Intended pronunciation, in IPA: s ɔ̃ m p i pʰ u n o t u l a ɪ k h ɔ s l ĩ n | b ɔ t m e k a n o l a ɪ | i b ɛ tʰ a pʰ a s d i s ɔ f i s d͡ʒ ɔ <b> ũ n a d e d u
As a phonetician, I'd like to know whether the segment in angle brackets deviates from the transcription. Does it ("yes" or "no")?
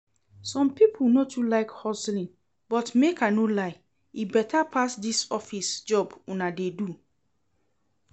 no